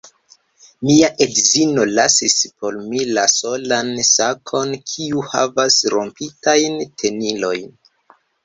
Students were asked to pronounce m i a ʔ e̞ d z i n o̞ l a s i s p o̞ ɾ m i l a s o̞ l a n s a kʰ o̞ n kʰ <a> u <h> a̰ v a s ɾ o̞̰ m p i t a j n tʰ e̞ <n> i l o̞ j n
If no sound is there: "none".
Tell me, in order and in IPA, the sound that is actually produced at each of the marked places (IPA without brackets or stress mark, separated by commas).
i, h, n